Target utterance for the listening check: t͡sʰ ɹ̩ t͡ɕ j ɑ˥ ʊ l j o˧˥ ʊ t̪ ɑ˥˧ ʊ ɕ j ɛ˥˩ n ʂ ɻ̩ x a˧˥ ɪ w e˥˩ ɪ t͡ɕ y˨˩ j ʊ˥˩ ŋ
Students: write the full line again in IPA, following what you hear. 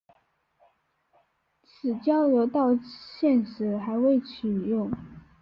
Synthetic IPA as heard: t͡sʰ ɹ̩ t͡ɕ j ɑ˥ ʊ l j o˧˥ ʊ t̪ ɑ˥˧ ʊ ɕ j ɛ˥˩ n ʂ ɻ̩ x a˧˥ ɪ w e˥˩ ɪ t͡ɕʰ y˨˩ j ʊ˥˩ ŋ